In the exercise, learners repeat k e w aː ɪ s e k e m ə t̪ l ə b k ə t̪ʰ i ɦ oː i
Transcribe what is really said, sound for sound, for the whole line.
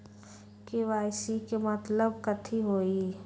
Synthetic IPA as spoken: k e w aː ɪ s i k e m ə t̪ l ə b k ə t̪ʰ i ɦ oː i